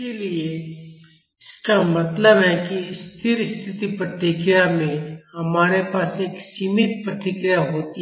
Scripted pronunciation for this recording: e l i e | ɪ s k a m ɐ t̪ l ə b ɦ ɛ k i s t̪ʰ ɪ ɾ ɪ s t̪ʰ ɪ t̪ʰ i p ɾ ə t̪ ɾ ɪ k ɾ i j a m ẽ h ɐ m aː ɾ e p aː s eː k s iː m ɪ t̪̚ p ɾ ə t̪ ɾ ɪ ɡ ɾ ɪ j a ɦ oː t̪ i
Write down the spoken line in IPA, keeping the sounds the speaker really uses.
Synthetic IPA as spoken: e l i e | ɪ s k a m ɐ t̪ l ə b ɦ ɛ k i s t̪ʰ ɪ ɾ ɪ s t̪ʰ ɪ t̪ i p ɾ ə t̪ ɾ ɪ k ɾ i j a m ẽ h ɐ m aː ɾ e p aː s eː k s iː m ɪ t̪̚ p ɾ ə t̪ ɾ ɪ k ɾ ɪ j a ɦ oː t̪ i